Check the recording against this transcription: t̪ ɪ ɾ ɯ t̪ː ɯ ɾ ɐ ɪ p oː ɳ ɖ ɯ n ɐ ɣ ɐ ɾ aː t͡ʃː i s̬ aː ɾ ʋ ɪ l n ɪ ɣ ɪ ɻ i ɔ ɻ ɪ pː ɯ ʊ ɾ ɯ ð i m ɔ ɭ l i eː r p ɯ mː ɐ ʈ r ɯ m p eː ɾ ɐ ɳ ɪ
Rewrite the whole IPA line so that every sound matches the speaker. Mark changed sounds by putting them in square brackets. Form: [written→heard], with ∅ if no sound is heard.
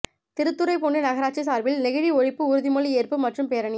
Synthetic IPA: t̪ ɪ ɾ ɯ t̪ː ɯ ɾ ɐ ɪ p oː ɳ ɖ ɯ n ɐ ɣ ɐ ɾ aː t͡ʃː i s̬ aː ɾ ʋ ɪ l n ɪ ɣ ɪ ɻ i ɔ ɻ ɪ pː ɯ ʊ ɾ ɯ ð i m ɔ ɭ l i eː r p ɯ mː ɐ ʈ r ɯ m p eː ɾ ɐ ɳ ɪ

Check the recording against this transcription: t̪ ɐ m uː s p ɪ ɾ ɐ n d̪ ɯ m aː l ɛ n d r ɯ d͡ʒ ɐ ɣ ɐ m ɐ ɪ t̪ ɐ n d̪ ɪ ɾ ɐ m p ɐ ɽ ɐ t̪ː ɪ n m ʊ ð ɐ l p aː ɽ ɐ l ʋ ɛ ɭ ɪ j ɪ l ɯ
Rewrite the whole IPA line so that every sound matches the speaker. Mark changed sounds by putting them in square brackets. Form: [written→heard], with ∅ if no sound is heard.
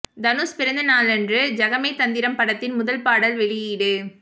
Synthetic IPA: [t̪→d̪] ɐ [m→n] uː s p ɪ ɾ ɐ n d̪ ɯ [m→n] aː l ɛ n d r ɯ d͡ʒ ɐ ɣ ɐ m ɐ ɪ t̪ ɐ n d̪ ɪ ɾ ɐ m p ɐ ɽ ɐ t̪ː ɪ n m ʊ ð ɐ l p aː ɽ ɐ l ʋ ɛ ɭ ɪ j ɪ [l→ɽ] ɯ

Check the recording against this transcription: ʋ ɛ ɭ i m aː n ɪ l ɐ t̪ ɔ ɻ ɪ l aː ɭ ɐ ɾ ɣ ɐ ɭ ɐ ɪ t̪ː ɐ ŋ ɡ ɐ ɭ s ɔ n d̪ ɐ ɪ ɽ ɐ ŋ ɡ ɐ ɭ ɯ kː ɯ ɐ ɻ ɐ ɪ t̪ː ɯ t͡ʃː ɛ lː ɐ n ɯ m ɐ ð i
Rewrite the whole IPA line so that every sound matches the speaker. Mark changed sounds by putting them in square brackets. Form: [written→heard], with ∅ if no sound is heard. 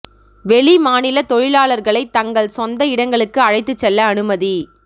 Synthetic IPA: ʋ ɛ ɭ i m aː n ɪ l ɐ t̪ ɔ ɻ ɪ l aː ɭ ɐ ɾ ɣ ɐ ɭ ɐ ɪ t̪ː ɐ ŋ ɡ ɐ ɭ s ɔ n d̪ ɐ ɪ ɽ ɐ ŋ ɡ ɐ ɭ ɯ kː ɯ ɐ ɻ ɐ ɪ t̪ː ɯ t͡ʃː ɛ lː [ɐ→ɐː] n ɯ m ɐ ð i

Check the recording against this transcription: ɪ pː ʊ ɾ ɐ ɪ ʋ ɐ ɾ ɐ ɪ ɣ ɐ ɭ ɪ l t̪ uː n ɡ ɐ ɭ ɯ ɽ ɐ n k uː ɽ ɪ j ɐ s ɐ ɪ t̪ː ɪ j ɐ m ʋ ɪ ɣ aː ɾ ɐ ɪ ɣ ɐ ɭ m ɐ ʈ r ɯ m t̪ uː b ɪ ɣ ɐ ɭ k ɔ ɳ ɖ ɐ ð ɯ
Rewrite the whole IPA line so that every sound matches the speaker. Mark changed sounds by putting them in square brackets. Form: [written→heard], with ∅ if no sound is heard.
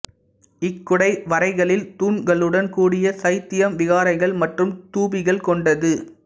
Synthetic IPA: ɪ [pː→kː] ʊ [ɾ→ɽ] ɐ ɪ ʋ ɐ ɾ ɐ ɪ ɣ ɐ ɭ ɪ l t̪ uː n ɡ ɐ ɭ ɯ ɽ ɐ n k uː ɽ ɪ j ɐ s ɐ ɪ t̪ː ɪ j ɐ m ʋ ɪ ɣ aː ɾ ɐ ɪ ɣ ɐ ɭ m ɐ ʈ r ɯ m t̪ uː b ɪ ɣ ɐ ɭ k ɔ ɳ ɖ ɐ ð ɯ

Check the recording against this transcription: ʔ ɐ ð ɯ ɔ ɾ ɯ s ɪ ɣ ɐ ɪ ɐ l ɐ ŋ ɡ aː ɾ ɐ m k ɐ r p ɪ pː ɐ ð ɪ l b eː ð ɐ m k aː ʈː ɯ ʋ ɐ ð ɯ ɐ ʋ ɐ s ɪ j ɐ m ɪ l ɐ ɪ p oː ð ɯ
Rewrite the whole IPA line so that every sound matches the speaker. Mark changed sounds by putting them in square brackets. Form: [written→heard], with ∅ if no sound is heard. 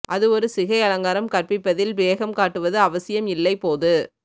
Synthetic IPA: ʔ ɐ ð ɯ ɔ ɾ ɯ s ɪ ɣ ɐ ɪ ɐ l ɐ ŋ ɡ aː ɾ ɐ m k ɐ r p ɪ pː ɐ ð ɪ l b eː [ð→ɣ] ɐ m k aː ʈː ɯ ʋ ɐ ð ɯ ɐ ʋ ɐ s ɪ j ɐ m ɪ [l→lː] ɐ ɪ p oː ð ɯ

